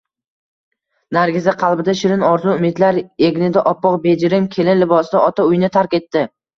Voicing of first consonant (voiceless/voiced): voiced